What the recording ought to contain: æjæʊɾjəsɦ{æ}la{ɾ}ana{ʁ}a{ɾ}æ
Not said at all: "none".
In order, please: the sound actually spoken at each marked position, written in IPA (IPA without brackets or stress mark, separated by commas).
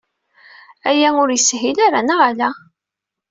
i, ɾ, ʁ, l